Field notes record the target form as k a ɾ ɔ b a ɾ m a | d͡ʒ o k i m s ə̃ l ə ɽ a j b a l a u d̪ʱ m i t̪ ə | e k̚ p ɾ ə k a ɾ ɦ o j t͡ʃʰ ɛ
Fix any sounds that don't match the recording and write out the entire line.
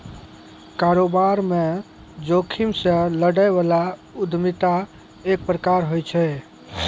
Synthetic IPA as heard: k a ɾ o b a ɾ m e | d͡ʒ o kʰ i m s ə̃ l ə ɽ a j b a l a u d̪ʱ m i t̪ a | e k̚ p ɾ ə k a ɾ ɦ o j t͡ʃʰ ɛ